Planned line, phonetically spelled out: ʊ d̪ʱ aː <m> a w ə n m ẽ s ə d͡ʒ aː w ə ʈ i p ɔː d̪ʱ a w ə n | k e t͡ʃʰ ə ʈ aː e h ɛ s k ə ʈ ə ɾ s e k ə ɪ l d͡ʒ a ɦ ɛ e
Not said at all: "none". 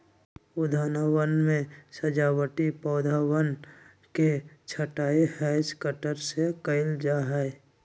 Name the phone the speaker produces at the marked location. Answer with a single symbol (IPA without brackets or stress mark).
n